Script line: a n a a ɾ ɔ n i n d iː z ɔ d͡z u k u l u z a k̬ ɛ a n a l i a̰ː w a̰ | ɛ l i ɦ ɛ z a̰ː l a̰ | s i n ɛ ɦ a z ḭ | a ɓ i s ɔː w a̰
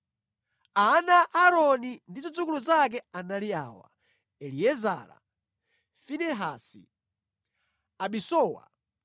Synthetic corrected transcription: a n a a ɾ ɔ n i n d i z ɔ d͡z u k u l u z a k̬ ɛ a n a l i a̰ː w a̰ | ɛ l i ɛ z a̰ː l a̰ | f i n ɛ ɦ a s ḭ | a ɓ i s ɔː w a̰